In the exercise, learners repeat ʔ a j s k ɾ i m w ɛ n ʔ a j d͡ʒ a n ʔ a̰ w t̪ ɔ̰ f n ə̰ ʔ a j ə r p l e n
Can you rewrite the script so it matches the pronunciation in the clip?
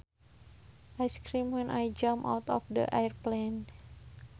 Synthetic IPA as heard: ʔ a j s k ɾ i m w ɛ n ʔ a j d͡ʒ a m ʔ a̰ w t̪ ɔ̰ f d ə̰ ʔ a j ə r p l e n